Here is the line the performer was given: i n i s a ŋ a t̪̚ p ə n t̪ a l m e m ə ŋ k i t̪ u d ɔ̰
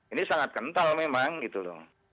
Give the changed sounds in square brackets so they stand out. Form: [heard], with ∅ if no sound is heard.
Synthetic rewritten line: i n i s a ŋ a t̪̚ [k] ə n t̪ a l m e m [a] ŋ [ɡ] i t̪ u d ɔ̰